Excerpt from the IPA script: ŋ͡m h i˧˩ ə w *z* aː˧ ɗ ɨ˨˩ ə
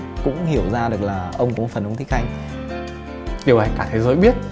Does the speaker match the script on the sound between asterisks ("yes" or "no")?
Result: yes